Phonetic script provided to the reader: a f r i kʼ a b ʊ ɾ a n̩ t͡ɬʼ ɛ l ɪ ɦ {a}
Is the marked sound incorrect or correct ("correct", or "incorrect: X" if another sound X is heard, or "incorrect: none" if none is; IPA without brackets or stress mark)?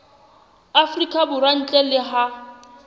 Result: correct